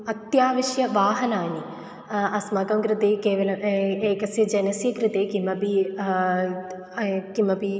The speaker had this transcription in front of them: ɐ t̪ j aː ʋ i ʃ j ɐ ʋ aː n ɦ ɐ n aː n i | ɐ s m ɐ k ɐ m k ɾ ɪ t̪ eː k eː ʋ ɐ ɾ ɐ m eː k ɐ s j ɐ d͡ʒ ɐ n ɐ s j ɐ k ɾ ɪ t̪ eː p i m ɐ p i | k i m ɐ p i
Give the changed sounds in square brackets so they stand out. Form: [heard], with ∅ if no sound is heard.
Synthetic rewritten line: ɐ t̪ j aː ʋ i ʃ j ɐ ʋ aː [∅] ɦ ɐ n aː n i | ɐ s m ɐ k ɐ m k ɾ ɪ t̪ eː k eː ʋ ɐ [l] ɐ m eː k ɐ s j ɐ d͡ʒ ɐ n ɐ s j ɐ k ɾ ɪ t̪ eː [k] i m ɐ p i | k i m ɐ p i